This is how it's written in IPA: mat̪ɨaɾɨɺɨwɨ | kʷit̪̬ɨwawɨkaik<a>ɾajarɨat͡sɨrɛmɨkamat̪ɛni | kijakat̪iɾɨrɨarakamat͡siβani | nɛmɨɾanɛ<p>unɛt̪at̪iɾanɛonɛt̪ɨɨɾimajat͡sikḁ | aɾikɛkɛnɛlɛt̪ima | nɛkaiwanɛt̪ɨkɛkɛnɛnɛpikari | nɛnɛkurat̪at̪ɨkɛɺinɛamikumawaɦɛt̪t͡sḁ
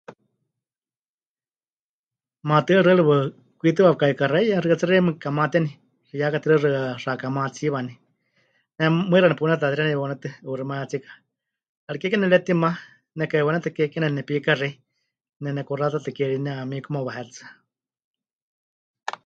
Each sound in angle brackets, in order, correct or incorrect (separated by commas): correct, correct